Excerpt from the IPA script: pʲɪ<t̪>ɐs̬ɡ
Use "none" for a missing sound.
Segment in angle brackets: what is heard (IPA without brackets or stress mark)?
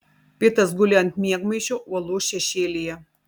t̪